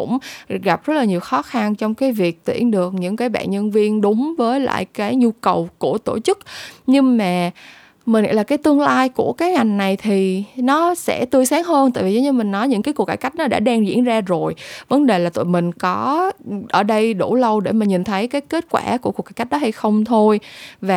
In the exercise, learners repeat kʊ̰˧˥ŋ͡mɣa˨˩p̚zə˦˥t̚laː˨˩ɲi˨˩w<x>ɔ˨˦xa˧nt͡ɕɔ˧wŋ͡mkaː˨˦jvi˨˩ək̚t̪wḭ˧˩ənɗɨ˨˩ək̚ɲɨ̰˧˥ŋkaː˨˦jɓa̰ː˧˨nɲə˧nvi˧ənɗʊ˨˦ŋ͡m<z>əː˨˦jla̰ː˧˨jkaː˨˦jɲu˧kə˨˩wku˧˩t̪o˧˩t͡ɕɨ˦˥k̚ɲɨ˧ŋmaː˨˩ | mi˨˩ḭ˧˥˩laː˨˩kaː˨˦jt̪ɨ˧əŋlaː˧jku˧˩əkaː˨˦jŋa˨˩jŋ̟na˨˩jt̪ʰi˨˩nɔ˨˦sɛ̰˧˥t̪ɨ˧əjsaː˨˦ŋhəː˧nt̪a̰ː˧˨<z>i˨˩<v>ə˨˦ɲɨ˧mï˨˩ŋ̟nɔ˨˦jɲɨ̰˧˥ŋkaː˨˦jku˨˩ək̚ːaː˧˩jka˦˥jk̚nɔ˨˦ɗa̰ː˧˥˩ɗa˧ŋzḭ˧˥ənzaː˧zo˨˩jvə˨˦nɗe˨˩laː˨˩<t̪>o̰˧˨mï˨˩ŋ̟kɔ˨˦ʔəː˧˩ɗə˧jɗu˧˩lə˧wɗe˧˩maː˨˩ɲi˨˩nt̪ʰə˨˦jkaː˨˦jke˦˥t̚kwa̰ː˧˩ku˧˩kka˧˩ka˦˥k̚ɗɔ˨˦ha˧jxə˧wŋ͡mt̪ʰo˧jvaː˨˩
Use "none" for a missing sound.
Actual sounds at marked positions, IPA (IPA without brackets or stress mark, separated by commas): x, v, v, z, t̪